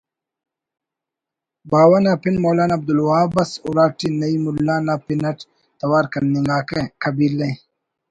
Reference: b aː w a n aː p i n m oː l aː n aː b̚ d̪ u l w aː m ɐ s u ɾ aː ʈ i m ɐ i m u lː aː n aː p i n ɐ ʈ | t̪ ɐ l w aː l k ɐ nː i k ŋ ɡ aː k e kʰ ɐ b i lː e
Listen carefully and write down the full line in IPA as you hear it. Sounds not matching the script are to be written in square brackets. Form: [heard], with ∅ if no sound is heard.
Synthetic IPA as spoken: b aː w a n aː p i n m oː l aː n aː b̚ d̪ u l w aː [b] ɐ s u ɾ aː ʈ i [n] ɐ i m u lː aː n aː p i n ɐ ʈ | t̪ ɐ [∅] w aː [ɾ] k ɐ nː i [∅] ŋ ɡ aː k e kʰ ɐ b i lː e